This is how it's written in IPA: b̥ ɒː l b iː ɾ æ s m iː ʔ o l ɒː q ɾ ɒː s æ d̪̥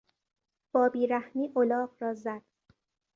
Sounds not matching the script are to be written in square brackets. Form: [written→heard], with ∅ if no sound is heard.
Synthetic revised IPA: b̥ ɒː [l→∅] b iː ɾ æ [s→h] m iː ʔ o l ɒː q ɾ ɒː [s→z] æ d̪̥